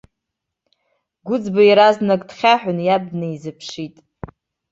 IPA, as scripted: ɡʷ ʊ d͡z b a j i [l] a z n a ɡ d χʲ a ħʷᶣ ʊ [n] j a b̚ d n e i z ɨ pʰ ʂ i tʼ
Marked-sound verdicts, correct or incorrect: incorrect, correct

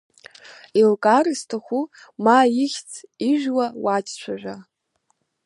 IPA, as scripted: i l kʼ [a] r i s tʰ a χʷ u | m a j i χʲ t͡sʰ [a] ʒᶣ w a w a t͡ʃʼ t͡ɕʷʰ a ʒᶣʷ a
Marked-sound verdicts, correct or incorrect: correct, incorrect

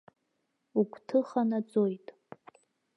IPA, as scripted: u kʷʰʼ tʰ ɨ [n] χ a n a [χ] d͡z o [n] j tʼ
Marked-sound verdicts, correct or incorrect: incorrect, incorrect, incorrect

